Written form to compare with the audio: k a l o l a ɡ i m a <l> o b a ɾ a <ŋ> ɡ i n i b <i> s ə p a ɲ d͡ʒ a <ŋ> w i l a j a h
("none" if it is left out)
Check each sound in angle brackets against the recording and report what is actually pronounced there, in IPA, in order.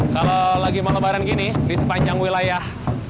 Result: l, n, i, ŋ

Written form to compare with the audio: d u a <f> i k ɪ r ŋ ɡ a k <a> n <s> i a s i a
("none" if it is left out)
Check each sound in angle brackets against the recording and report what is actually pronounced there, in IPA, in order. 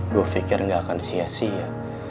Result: f, a, s

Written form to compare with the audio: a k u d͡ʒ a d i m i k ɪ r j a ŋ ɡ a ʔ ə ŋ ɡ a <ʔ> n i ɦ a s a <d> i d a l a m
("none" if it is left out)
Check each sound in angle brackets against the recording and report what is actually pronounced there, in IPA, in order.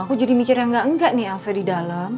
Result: ʔ, d

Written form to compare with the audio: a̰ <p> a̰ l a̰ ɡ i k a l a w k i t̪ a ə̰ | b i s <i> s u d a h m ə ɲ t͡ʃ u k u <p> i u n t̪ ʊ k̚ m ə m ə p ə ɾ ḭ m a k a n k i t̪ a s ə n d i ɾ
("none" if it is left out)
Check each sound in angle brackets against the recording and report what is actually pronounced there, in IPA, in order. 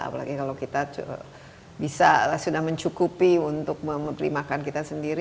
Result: p, a, p

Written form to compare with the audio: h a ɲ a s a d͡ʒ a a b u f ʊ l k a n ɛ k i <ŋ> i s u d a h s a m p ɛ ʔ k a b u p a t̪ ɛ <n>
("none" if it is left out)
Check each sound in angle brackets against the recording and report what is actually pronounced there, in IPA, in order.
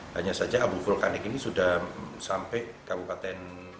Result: n, n

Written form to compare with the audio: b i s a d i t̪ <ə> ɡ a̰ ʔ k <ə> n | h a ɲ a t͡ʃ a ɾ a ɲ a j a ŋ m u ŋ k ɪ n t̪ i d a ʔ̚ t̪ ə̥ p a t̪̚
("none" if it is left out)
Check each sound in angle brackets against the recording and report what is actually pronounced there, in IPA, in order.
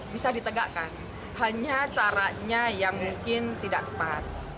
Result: ə, a

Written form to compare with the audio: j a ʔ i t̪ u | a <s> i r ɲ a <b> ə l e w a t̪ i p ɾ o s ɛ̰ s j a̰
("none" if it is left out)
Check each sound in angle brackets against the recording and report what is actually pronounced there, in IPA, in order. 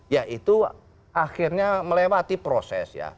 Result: x, m

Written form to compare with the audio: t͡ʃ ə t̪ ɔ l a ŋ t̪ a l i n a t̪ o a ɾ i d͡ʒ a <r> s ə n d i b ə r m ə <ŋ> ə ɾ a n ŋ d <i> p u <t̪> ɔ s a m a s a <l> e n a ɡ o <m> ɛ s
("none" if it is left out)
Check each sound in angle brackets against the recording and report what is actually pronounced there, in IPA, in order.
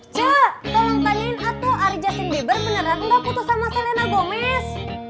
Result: none, n, a, t̪, l, m

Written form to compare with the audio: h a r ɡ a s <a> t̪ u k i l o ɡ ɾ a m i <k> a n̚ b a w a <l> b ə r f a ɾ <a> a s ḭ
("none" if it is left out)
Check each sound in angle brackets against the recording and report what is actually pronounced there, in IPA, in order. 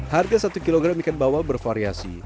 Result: a, k, l, i

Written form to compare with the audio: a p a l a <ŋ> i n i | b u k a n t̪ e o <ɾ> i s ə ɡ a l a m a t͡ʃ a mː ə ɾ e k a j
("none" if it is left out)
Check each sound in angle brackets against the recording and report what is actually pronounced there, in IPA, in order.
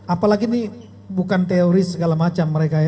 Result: ɡ, ɾ

